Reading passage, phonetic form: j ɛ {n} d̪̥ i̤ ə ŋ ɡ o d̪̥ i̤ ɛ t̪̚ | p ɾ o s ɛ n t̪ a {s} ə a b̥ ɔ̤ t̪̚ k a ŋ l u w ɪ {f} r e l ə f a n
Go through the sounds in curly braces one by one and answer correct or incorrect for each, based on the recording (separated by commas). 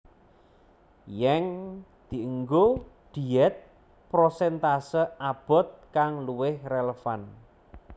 incorrect, correct, incorrect